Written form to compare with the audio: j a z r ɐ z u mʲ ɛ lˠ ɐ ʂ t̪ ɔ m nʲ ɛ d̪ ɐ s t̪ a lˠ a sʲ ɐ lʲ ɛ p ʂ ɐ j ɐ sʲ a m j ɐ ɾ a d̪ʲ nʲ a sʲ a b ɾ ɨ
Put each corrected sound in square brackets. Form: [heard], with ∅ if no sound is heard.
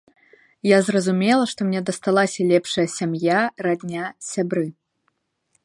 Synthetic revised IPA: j a z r ɐ z u mʲ ɛ lˠ ɐ ʂ t̪ ɔ m nʲ ɛ d̪ ɐ s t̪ a lˠ a sʲ ɐ lʲ ɛ p ʂ ɐ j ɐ sʲ a m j [a] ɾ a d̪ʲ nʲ a sʲ a b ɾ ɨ